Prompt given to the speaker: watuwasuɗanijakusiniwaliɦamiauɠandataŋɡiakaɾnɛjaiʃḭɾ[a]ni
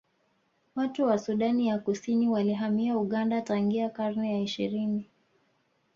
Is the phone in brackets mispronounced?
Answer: yes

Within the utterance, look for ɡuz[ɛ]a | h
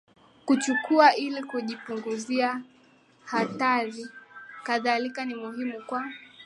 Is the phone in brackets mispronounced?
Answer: yes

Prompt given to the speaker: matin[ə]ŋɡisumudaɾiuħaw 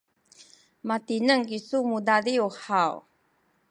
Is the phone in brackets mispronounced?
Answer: no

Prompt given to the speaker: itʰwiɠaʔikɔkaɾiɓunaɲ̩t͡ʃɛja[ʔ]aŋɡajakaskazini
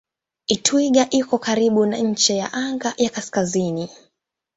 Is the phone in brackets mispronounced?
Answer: no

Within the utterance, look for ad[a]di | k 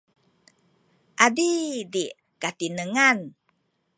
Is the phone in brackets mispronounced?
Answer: yes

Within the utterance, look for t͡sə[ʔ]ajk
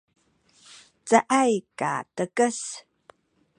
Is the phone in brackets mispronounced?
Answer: no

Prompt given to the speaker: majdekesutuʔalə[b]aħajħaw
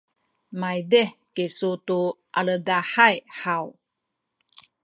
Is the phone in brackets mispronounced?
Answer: yes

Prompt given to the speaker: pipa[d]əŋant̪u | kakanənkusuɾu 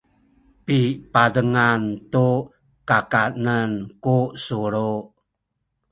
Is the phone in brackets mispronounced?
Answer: no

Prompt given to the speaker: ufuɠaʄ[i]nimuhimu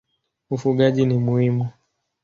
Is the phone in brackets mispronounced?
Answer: no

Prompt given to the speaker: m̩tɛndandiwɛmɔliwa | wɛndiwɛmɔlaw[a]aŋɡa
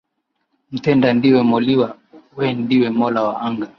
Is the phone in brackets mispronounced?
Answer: no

